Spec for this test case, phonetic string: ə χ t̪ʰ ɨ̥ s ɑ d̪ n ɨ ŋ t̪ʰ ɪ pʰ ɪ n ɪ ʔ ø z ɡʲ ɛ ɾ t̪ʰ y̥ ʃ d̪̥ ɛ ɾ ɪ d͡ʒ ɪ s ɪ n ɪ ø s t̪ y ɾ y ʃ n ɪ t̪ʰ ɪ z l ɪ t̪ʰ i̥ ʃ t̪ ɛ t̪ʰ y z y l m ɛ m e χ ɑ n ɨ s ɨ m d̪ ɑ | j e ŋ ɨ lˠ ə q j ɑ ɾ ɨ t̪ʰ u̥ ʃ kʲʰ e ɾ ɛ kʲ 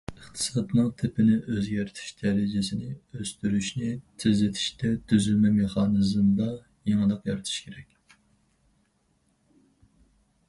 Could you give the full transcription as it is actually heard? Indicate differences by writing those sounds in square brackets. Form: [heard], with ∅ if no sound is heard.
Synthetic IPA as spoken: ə χ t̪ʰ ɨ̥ s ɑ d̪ n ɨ ŋ t̪ʰ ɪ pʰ ɪ n ɪ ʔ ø z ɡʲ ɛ ɾ t̪ʰ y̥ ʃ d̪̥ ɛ ɾ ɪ d͡ʒ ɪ s ɪ n ɪ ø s t̪ y ɾ y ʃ n ɪ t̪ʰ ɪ z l ɪ t̪ʰ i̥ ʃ t̪ ɛ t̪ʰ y z y l m ɛ m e χ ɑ n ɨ [z] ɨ m d̪ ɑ | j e ŋ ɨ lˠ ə q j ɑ ɾ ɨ t̪ʰ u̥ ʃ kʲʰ e ɾ ɛ kʲ